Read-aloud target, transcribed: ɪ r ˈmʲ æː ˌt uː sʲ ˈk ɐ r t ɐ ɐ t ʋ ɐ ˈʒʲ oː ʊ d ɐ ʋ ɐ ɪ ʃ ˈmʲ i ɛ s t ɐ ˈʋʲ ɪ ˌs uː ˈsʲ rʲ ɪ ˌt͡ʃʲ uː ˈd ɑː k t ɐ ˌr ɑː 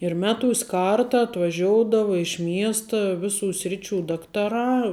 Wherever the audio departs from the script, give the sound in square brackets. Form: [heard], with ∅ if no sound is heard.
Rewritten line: ɪ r ˈmʲ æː ˌt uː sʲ ˈk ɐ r t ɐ ɐ t ʋ ɐ ˈʒʲ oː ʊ d ɐ ʋ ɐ ɪ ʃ ˈmʲ i ɛ s t ɐ ˈʋʲ ɪ ˌs uː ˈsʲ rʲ ɪ ˌt͡ʃʲ uː ˈd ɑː k t ɐ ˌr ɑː